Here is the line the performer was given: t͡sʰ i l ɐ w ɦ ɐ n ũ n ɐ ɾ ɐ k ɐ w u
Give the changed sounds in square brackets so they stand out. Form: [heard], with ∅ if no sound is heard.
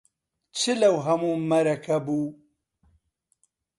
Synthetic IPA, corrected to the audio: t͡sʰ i l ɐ w ɦ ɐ [m] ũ [m] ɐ ɾ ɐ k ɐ [b] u